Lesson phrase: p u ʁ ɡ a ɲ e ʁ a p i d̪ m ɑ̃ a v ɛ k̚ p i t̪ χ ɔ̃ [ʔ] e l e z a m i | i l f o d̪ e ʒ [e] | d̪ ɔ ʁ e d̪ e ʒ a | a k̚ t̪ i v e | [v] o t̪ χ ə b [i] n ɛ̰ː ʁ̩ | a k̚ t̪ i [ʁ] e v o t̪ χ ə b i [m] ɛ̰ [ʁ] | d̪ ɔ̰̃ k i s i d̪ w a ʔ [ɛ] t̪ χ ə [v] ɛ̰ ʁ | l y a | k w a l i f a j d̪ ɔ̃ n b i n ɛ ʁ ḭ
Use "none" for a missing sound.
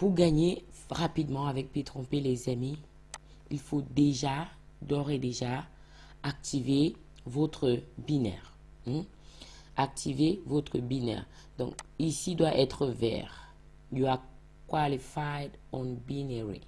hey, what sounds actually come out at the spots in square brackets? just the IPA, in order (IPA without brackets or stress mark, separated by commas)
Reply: p, a, v, i, v, n, ʁ, ɛ, v